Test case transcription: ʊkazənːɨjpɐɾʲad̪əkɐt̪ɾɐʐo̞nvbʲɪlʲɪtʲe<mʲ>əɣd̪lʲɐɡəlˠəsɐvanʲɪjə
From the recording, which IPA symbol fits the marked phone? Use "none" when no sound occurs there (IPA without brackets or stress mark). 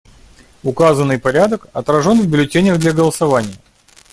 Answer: nʲ